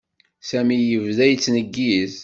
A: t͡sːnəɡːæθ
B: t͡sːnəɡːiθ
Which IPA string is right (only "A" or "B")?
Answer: B